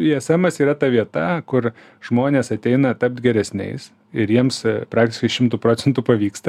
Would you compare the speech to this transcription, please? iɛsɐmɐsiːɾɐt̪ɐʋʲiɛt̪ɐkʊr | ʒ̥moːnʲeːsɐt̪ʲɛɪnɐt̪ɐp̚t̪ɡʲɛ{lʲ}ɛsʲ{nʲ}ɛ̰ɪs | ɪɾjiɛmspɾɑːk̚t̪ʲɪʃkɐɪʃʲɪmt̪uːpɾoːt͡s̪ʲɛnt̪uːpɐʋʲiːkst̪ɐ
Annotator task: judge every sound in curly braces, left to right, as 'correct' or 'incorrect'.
incorrect, correct

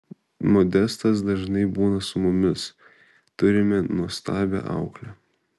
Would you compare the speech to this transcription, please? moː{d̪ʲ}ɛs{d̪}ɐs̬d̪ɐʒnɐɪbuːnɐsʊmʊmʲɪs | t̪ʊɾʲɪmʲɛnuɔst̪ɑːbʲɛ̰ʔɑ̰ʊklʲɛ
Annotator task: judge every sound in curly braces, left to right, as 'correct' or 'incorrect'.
correct, incorrect

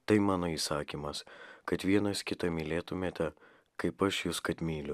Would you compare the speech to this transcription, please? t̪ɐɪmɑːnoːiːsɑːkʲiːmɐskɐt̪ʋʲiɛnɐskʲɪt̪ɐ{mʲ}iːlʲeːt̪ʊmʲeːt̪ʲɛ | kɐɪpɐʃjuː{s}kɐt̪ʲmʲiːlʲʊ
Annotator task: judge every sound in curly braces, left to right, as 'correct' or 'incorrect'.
correct, correct

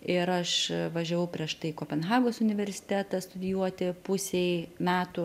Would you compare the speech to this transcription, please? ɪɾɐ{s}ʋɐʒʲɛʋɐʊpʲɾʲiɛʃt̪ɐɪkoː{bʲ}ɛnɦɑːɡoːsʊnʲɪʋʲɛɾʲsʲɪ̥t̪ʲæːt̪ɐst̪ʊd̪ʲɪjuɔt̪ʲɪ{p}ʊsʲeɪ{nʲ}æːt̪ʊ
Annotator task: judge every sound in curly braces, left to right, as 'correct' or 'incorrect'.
incorrect, incorrect, correct, incorrect

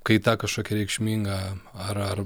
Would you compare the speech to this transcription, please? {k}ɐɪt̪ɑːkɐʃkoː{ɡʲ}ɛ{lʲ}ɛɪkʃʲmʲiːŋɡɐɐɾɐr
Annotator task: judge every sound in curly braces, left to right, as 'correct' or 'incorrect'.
correct, incorrect, incorrect

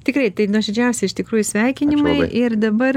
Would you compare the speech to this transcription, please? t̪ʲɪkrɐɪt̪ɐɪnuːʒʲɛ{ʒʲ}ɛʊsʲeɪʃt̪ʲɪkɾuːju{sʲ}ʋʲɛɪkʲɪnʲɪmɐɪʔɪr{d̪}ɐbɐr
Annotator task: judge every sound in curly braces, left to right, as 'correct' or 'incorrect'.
incorrect, correct, correct

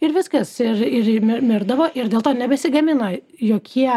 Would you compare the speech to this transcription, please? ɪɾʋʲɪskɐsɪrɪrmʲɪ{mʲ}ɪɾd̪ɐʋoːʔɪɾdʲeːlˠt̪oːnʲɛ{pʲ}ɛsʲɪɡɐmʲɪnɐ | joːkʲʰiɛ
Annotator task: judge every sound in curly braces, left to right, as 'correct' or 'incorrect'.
correct, incorrect

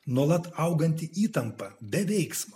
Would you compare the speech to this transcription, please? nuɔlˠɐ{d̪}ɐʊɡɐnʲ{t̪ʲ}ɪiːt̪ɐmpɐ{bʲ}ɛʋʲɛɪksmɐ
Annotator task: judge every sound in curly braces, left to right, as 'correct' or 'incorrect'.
incorrect, correct, correct

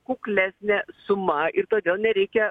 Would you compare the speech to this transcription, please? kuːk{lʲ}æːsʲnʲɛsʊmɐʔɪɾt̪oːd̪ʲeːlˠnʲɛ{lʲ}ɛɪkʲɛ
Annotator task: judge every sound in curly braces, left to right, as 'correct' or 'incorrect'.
correct, incorrect

